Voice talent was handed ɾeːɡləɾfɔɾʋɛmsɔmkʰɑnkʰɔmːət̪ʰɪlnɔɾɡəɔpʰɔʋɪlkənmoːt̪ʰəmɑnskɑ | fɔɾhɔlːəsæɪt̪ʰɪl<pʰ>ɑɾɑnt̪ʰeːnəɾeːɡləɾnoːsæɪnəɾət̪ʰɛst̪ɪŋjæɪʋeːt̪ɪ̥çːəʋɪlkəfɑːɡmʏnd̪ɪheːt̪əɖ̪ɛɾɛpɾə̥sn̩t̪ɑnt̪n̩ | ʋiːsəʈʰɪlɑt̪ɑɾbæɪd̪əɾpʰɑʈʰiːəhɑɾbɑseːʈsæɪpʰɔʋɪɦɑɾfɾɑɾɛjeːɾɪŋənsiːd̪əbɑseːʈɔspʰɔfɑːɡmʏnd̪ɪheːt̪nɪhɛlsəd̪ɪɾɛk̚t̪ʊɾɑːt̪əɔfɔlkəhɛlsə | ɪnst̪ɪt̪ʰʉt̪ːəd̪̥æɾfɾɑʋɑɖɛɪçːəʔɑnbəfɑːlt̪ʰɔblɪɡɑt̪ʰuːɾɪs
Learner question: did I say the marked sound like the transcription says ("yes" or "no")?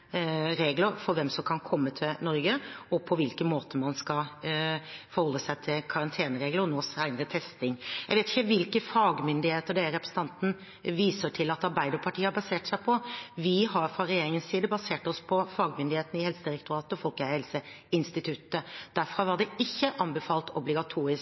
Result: no